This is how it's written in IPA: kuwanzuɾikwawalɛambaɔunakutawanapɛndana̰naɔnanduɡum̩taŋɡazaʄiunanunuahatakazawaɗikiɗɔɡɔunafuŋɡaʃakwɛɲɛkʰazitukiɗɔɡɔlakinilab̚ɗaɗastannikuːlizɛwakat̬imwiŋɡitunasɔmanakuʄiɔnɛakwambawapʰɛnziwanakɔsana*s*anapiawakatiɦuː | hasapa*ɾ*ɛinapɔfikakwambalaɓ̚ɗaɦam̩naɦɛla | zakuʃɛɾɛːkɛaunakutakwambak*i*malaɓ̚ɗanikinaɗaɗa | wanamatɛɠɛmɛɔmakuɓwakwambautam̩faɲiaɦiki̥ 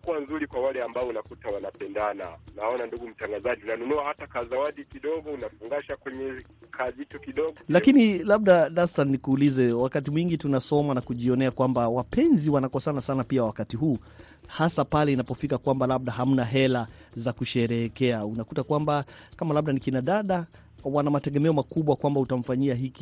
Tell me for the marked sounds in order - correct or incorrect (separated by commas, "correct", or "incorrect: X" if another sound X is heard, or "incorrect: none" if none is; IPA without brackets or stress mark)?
correct, incorrect: l, incorrect: a